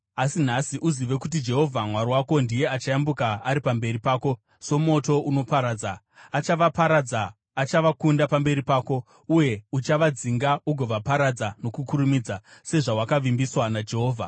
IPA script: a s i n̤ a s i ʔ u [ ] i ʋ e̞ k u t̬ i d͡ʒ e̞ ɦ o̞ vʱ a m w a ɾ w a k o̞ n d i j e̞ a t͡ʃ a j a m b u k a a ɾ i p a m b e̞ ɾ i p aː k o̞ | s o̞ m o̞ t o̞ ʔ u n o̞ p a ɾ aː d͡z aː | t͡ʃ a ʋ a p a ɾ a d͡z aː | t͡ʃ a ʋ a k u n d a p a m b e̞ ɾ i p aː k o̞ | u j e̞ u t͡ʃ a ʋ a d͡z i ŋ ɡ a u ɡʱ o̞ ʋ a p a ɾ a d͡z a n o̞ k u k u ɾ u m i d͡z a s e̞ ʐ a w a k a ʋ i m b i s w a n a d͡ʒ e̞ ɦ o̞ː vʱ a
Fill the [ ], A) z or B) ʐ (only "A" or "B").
A